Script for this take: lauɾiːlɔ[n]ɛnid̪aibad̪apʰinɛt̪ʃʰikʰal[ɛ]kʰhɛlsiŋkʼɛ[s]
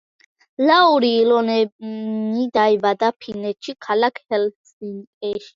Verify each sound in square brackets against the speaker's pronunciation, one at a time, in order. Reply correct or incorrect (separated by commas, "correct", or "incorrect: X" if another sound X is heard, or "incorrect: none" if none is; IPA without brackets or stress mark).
correct, incorrect: a, incorrect: ʃ